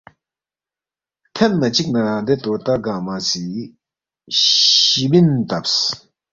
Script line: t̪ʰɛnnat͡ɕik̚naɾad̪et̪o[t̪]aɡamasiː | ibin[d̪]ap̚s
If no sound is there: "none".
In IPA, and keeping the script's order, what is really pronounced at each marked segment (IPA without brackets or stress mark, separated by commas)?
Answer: t̪, t̪